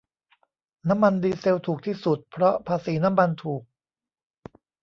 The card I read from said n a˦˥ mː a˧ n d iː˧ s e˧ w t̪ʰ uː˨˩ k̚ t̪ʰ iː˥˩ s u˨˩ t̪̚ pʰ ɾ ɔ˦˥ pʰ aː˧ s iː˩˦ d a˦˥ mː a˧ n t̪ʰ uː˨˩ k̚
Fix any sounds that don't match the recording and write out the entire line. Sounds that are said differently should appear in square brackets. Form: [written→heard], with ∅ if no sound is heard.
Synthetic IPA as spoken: n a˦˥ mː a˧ n d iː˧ s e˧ w t̪ʰ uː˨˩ k̚ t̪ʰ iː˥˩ s u˨˩ t̪̚ pʰ ɾ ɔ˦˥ pʰ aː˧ s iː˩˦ [d→n] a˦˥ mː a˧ n t̪ʰ uː˨˩ k̚